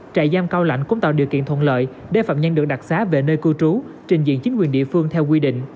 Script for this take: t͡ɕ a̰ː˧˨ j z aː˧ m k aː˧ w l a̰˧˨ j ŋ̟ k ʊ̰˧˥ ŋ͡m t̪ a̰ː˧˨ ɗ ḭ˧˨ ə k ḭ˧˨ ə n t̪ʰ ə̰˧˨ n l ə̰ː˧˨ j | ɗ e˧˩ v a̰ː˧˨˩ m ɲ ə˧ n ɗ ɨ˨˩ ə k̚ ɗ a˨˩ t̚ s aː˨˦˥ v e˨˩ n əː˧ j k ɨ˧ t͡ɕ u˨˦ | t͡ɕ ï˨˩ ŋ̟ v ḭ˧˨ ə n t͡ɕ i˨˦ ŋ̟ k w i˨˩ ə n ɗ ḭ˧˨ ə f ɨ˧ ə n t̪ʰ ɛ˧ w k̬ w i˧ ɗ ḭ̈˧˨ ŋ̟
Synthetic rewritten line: t͡ɕ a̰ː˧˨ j z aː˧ m k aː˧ w l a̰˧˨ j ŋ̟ k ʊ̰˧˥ ŋ͡m t̪ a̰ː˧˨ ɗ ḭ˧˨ ə k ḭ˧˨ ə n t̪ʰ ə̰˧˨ n l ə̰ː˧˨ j | ɗ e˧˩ f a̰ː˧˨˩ m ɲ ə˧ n ɗ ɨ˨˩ ə k̚ ɗ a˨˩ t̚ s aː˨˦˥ v e˨˩ n əː˧ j k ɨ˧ t͡ɕ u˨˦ | t͡ɕ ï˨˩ ŋ̟ z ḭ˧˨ ə n t͡ɕ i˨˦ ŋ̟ k w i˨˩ ə n ɗ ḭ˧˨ ə f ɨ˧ ə ŋ t̪ʰ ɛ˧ w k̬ w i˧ ɗ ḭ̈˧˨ ŋ̟